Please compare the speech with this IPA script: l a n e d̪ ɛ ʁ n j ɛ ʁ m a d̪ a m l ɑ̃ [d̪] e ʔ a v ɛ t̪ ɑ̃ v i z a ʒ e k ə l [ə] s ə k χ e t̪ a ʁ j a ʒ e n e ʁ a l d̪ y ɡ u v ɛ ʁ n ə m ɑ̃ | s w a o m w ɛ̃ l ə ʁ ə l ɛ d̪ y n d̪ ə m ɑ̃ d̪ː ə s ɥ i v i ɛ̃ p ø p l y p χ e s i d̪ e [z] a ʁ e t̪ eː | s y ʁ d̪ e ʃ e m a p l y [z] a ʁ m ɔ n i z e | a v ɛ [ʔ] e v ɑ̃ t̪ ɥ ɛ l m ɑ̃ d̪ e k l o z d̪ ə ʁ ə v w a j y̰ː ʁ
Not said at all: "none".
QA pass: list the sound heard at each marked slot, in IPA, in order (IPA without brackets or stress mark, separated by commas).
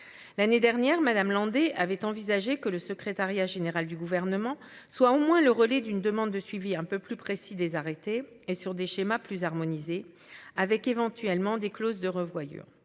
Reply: d̪, ə, z, z, k